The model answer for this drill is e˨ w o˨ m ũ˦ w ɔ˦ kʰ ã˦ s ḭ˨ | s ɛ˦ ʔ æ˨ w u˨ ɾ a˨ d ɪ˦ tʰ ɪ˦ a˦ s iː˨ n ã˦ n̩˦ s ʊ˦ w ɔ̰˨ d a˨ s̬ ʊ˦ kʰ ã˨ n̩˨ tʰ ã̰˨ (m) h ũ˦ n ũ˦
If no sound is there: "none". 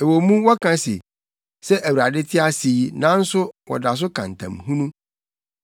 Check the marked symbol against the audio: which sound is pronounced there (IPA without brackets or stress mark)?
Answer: m